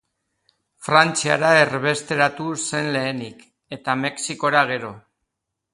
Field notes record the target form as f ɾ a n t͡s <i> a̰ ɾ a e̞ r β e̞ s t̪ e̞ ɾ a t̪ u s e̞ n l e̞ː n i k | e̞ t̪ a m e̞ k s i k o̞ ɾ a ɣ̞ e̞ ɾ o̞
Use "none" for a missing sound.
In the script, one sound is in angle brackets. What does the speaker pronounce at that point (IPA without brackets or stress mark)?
i